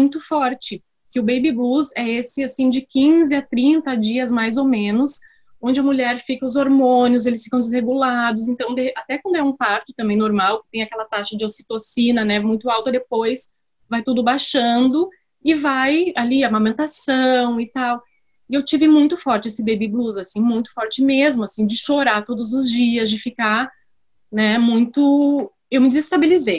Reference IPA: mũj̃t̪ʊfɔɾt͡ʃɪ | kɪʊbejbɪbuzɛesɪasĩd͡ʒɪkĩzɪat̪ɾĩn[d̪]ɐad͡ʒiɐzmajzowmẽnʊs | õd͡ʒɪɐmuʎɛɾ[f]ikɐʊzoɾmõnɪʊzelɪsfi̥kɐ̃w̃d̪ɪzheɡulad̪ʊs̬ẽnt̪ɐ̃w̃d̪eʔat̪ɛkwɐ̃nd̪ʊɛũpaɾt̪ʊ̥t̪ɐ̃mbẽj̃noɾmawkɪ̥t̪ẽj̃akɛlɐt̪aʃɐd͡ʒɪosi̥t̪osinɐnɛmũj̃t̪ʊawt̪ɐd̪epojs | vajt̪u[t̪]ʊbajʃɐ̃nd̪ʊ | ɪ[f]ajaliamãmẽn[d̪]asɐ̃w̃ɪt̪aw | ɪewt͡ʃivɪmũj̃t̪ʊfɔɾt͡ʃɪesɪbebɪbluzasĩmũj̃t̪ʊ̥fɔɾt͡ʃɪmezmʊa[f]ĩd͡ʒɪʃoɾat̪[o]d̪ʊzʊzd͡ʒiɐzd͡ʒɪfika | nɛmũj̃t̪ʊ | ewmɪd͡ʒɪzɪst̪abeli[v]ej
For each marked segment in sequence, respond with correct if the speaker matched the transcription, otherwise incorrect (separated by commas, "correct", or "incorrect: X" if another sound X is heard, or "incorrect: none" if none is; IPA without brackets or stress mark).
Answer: incorrect: t̪, correct, incorrect: d̪, incorrect: v, incorrect: t̪, incorrect: s, correct, incorrect: z